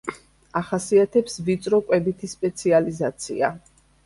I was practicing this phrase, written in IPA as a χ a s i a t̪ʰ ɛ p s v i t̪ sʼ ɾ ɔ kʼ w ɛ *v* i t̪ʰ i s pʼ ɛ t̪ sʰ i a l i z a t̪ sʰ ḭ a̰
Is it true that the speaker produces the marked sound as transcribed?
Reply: no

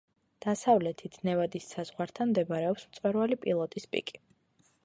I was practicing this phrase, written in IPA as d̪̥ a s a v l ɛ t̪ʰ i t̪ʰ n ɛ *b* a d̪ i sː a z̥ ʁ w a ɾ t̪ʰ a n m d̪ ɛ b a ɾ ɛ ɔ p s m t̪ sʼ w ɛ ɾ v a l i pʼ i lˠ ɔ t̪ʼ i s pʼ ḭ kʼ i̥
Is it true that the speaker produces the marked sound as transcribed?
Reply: no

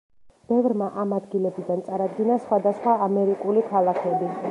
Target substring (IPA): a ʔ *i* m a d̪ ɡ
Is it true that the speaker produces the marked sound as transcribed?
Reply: no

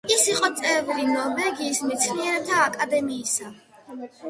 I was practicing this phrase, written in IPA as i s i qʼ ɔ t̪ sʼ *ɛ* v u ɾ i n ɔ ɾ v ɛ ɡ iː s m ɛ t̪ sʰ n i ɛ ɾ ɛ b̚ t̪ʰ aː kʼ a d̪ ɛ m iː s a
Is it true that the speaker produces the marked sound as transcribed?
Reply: yes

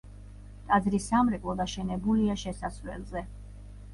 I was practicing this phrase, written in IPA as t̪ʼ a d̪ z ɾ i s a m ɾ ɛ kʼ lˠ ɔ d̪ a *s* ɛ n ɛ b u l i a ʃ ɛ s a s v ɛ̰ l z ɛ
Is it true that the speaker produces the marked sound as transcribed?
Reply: no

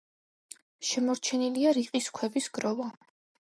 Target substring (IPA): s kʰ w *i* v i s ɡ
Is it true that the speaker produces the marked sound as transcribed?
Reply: no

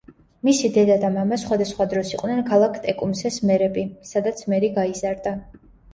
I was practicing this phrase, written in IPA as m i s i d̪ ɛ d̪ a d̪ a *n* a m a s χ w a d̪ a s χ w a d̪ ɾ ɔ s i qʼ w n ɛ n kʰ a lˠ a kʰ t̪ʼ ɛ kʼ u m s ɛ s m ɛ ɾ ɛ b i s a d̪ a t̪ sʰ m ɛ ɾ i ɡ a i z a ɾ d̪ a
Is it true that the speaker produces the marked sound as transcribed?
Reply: no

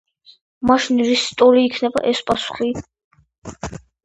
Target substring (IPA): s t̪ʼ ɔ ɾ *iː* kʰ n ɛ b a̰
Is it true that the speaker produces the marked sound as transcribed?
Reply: yes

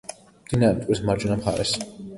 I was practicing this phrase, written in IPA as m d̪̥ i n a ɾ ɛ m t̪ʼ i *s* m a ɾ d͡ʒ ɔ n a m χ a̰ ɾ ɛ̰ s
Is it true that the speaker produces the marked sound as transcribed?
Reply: yes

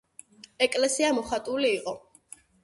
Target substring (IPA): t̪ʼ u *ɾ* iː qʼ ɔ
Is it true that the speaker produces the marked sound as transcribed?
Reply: no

